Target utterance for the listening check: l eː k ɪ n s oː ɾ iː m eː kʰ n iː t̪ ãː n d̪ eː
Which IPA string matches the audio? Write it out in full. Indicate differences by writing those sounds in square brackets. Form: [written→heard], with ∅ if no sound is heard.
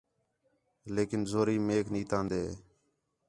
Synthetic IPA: l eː k ɪ n [s→z] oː ɾ iː m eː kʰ n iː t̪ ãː n d̪ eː